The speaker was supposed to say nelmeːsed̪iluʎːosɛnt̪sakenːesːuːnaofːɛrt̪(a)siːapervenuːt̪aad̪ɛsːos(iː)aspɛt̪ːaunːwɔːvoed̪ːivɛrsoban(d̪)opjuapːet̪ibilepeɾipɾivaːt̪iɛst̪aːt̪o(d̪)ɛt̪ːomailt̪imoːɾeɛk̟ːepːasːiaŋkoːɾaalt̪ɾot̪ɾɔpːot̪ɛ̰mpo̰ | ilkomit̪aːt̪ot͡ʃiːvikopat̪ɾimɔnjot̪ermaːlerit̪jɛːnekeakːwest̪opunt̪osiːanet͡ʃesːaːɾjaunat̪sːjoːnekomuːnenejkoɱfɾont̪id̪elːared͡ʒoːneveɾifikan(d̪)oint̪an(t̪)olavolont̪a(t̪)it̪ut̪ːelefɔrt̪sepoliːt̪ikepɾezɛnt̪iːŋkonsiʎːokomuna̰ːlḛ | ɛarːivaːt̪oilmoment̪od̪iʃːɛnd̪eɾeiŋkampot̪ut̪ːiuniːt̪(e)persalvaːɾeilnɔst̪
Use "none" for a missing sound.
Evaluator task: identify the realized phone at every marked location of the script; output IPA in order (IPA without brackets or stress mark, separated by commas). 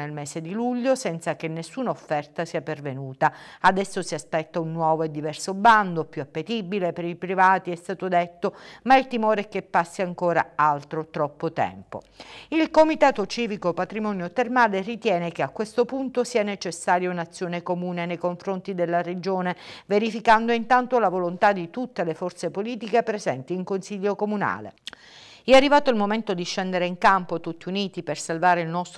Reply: a, i, d̪, d̪, d̪, t̪, d̪, i